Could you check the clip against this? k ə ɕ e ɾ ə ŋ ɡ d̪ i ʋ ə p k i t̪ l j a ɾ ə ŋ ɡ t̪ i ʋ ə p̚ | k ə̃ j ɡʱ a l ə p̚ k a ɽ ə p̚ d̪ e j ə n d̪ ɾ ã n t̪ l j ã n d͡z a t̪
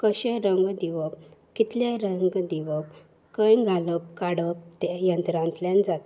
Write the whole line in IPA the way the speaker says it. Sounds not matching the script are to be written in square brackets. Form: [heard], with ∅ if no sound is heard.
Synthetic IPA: k ə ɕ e ɾ ə ŋ ɡ d̪ i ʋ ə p k i t̪ l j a ɾ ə ŋ ɡ [d̪] i ʋ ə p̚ | k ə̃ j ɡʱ a l ə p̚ k a ɽ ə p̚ [t̪] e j ə n [t̪] ɾ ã n t̪ l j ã n d͡z a t̪